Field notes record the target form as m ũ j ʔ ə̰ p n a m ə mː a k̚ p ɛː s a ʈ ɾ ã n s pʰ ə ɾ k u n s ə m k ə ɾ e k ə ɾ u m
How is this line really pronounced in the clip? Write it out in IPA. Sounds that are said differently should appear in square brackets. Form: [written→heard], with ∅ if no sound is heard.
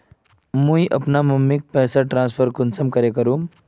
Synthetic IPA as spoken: m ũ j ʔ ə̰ p n a m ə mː [a→i] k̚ p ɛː s a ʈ ɾ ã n s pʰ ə ɾ k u n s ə m k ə ɾ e k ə ɾ u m